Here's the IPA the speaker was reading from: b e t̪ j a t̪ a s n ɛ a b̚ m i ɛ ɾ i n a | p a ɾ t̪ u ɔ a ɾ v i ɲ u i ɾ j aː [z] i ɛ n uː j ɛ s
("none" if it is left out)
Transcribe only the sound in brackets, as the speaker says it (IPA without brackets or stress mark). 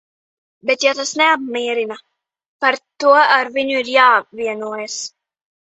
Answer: v